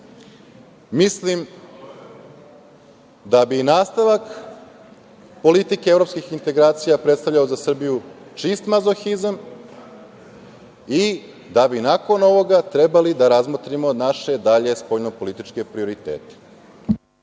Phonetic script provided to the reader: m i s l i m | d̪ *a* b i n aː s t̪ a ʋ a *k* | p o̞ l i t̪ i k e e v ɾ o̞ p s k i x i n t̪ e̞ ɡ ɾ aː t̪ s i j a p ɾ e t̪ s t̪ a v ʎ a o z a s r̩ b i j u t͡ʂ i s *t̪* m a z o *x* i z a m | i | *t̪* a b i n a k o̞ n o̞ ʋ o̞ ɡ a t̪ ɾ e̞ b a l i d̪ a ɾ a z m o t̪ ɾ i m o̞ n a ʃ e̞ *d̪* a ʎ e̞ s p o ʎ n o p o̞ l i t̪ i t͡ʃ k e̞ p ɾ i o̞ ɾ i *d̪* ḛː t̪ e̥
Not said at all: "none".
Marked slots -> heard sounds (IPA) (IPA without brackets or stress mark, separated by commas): a, k, t̪, x, d̪, d̪, t̪